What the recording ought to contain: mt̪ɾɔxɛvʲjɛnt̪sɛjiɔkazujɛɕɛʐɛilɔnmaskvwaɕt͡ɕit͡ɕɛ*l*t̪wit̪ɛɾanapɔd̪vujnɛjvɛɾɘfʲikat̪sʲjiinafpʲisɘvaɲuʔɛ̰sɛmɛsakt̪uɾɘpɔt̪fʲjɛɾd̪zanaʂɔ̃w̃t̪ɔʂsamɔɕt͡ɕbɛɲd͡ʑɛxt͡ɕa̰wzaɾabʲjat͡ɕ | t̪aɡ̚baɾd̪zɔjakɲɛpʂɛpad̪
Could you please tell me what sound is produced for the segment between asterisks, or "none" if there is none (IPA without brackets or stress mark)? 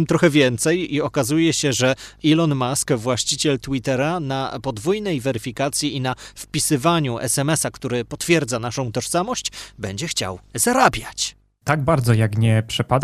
l